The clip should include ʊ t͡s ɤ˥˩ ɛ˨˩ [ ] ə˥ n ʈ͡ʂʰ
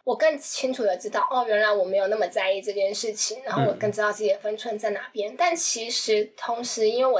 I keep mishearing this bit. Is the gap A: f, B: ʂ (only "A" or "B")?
A